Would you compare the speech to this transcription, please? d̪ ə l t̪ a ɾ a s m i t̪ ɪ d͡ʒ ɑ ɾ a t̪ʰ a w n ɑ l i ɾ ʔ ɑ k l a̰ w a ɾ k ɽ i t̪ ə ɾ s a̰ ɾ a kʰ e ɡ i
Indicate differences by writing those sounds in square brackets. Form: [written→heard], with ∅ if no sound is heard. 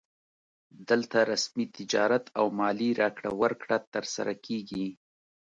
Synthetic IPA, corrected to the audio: d̪ ə l t̪ a ɾ a s m i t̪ ɪ d͡ʒ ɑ ɾ a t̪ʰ a w [n→m] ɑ l i ɾ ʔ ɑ k [l→ɽ] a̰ w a ɾ k ɽ [i→a] t̪ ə ɾ s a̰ ɾ a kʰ e ɡ i